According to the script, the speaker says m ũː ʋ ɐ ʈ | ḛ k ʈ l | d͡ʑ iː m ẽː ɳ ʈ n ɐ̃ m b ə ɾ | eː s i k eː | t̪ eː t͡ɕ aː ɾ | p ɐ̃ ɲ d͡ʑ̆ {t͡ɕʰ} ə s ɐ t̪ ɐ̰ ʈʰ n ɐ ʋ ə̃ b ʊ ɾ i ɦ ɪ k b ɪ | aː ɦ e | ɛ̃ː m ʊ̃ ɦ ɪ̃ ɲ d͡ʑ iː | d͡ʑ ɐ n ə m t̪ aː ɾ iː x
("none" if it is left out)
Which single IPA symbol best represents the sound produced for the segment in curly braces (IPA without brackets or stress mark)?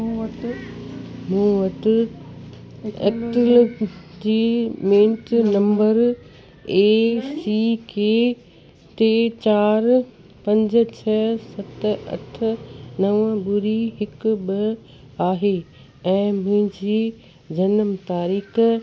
t͡ɕʰ